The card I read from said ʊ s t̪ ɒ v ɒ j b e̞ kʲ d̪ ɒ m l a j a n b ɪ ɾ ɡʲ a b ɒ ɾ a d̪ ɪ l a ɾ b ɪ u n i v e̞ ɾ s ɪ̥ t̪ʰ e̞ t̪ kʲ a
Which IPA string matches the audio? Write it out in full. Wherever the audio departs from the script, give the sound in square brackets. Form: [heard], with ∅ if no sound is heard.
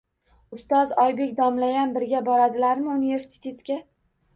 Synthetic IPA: ʊ s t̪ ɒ [z] ɒ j b e̞ kʲ d̪ ɒ m l a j a n b ɪ ɾ ɡʲ a b ɒ ɾ a d̪ ɪ l a ɾ [m] ɪ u n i v e̞ ɾ s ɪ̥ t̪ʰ e̞ t̪ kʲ a